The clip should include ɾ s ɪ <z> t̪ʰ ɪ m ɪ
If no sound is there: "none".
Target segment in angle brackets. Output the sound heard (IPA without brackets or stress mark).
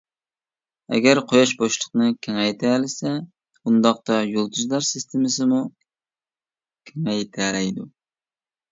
s